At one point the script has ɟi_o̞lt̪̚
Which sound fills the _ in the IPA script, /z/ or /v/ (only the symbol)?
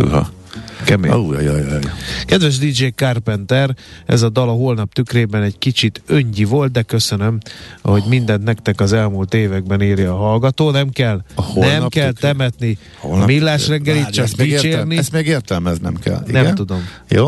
v